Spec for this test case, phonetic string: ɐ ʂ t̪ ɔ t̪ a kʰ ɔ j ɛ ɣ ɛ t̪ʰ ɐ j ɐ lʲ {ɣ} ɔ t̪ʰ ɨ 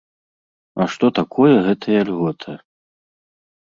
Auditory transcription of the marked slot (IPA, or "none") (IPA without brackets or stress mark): ɣ